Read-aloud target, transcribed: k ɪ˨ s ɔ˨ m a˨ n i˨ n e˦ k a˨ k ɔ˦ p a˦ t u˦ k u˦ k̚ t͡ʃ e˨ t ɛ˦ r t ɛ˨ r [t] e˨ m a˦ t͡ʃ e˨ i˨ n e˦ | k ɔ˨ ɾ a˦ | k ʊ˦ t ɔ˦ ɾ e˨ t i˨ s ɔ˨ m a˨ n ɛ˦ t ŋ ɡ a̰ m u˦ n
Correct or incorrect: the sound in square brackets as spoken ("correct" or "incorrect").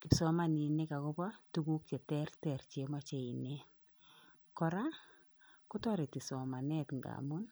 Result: incorrect